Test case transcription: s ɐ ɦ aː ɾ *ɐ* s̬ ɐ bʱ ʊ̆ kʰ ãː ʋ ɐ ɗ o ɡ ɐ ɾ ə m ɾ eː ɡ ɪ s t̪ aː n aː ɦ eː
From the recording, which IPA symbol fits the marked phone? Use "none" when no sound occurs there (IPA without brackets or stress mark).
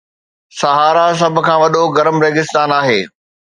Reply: a